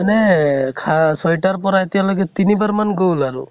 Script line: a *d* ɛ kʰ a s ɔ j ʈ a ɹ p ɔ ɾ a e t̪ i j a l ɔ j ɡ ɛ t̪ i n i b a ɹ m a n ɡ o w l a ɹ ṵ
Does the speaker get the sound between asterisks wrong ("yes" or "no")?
yes